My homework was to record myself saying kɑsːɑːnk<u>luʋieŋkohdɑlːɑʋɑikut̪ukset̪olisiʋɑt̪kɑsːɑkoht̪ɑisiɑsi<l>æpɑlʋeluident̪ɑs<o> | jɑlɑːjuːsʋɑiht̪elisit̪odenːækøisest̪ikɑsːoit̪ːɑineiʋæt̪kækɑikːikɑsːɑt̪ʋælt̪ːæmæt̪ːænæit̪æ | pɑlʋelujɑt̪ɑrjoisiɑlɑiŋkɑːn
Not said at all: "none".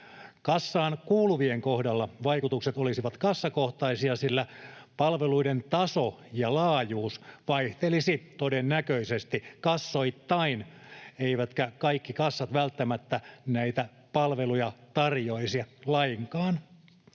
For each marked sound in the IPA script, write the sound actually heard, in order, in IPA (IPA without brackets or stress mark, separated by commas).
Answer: uː, lː, o